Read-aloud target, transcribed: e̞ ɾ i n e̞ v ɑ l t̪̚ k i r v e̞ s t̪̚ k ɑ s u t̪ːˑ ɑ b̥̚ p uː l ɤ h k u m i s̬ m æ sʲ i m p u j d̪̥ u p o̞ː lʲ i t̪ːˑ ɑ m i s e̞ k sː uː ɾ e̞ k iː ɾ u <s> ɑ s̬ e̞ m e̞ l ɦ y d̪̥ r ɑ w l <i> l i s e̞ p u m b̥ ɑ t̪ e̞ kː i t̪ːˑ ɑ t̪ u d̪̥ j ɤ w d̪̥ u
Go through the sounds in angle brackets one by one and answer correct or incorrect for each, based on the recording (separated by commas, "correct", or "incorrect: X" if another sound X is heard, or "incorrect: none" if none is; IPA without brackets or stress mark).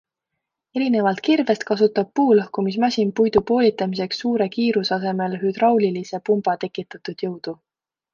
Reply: correct, correct